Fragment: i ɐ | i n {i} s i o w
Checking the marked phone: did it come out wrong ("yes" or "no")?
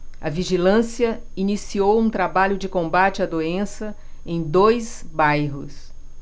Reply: no